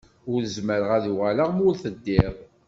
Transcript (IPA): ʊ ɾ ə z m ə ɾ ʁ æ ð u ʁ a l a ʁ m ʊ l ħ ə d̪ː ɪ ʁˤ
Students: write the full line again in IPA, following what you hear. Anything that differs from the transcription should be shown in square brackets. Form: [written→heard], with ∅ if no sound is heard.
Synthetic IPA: ʊ ɾ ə z m ə ɾ ʁ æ ð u ʁ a l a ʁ m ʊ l [ħ→θ] ə d̪ː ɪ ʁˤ